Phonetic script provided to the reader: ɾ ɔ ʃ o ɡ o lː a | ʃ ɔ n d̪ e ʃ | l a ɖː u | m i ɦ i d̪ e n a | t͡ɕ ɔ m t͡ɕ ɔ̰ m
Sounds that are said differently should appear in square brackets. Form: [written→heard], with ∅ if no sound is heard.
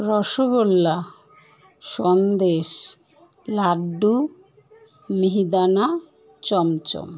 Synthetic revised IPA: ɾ ɔ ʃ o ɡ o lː a | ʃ ɔ n d̪ e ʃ | l a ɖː u | m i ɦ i d̪ [e→a] n a | t͡ɕ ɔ m t͡ɕ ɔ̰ m

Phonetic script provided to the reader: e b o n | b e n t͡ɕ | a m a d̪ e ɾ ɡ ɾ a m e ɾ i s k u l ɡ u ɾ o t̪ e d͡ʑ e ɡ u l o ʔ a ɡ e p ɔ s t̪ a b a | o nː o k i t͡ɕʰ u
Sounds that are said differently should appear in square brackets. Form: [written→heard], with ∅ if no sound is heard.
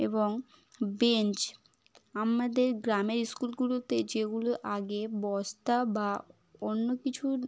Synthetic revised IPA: e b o [n→ŋ] | b e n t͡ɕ | a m a d̪ e ɾ ɡ ɾ a m e ɾ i s k u l ɡ u [ɾ→l] o t̪ e d͡ʑ e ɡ u l o ʔ a ɡ e [p→b] ɔ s t̪ a b a | o nː o k i t͡ɕʰ u

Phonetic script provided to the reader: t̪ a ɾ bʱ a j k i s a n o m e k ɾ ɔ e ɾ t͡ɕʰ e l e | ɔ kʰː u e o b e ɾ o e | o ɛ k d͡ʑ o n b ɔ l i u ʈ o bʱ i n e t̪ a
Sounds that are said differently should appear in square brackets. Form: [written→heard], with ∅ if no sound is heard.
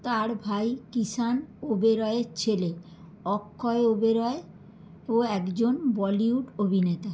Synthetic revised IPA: t̪ a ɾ bʱ a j k i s a n o [m→b] e [k→∅] ɾ ɔ e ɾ t͡ɕʰ e l e | ɔ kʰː [u→ɔ] e o b e ɾ [o→ɔ] e | o ɛ k d͡ʑ o n b ɔ l i u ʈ o bʱ i n e t̪ a

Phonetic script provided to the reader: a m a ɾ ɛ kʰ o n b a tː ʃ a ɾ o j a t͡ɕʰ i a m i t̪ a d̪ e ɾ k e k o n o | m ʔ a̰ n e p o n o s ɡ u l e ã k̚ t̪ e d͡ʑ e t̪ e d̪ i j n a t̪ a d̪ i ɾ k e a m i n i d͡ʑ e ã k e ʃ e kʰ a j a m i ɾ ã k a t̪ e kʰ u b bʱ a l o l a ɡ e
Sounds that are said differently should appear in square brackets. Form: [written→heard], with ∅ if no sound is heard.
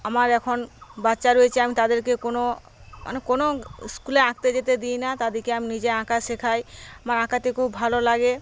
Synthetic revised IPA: a m a ɾ ɛ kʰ o n b a tː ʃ a ɾ o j [a→e] t͡ɕʰ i a m i t̪ a d̪ e ɾ k e k o n o | m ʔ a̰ n e [p→k] o n o s [ɡ→k] u l e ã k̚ t̪ e d͡ʑ e t̪ e d̪ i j n a t̪ a d̪ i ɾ k e a m i n i d͡ʑ e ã k [e→a] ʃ e kʰ a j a m [i→a] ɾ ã k a t̪ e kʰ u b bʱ a l o l a ɡ e

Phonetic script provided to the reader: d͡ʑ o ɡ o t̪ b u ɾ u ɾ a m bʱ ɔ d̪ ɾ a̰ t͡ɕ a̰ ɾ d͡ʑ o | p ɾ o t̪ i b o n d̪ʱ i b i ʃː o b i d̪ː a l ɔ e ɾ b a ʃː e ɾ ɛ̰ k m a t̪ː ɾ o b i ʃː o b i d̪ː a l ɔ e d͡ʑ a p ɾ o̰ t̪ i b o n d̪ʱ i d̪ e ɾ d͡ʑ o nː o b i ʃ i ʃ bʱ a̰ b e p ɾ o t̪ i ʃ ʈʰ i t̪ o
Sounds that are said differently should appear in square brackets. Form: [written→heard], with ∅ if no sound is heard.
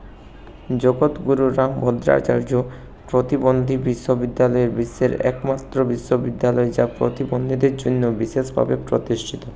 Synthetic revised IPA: d͡ʑ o ɡ o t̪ [b→ɡ] u ɾ u ɾ a m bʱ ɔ d̪ ɾ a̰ t͡ɕ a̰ ɾ d͡ʑ o | p ɾ o t̪ i b o n d̪ʱ i b i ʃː o b i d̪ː a l ɔ e ɾ b [a→i] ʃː e ɾ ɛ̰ k m a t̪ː ɾ o b i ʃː o b i d̪ː a l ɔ e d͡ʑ a p ɾ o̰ t̪ i b o n d̪ʱ i d̪ e ɾ d͡ʑ o nː o b i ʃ [i→e] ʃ bʱ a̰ b e p ɾ o t̪ i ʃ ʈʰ i t̪ o

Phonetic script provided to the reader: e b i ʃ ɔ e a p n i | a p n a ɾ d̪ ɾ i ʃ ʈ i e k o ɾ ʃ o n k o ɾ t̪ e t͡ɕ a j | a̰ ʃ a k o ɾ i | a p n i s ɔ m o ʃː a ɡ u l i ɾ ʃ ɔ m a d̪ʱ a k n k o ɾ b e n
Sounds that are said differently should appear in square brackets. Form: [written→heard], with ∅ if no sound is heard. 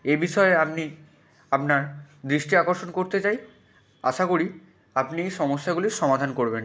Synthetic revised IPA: e b i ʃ ɔ e a p n i | a p n a ɾ d̪ ɾ i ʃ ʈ i [e→a] k o ɾ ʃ o n k o ɾ t̪ e t͡ɕ a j | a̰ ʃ a k o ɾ i | a p n i [s→ʃ] ɔ m o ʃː a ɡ u l i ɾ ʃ ɔ m a d̪ʱ a [k→∅] n k o ɾ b e n

